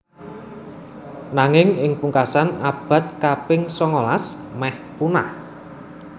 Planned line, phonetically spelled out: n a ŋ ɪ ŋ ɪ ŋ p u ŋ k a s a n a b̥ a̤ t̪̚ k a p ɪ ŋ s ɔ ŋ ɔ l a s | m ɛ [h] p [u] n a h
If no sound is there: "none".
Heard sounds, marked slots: h, u

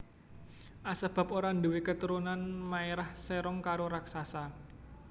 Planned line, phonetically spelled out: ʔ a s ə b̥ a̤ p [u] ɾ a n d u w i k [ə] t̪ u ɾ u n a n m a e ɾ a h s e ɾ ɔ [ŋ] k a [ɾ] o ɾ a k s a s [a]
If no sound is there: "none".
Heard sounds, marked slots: o, ə, ŋ, ɾ, a

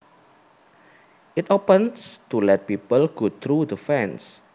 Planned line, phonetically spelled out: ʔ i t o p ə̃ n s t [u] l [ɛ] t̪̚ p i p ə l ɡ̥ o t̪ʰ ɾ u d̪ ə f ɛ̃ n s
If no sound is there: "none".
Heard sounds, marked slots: u, ɛ

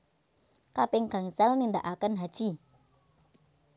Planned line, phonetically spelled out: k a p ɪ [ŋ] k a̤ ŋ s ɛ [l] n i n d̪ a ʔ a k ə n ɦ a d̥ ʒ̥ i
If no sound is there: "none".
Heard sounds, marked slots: ŋ, l

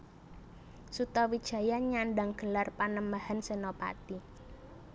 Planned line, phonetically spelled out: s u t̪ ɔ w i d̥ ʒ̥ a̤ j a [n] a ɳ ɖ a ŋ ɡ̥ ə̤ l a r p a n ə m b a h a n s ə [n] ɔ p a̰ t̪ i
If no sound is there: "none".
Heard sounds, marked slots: ɲ, n

